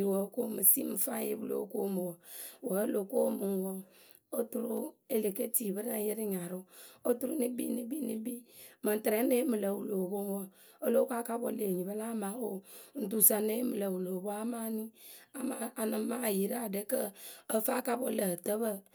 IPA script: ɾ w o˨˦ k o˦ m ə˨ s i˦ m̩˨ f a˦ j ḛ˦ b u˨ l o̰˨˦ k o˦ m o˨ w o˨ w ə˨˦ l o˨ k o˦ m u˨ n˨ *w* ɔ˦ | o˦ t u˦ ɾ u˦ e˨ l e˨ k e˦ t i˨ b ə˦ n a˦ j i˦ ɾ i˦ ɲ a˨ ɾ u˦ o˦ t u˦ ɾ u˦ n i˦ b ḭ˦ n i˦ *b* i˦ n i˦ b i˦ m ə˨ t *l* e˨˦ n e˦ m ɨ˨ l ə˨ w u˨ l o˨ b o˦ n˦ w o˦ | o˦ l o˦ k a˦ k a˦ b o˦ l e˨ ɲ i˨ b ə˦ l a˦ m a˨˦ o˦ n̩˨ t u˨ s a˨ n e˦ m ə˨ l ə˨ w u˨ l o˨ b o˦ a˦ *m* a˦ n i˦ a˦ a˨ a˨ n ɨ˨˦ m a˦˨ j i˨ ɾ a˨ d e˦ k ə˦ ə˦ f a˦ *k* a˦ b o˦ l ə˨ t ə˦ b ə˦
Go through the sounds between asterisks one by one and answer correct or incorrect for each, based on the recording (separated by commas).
correct, correct, incorrect, correct, correct